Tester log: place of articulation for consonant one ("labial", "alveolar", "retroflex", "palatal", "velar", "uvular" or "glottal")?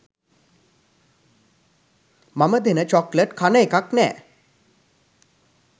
labial